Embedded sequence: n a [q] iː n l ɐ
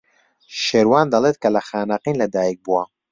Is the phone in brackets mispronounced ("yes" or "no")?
no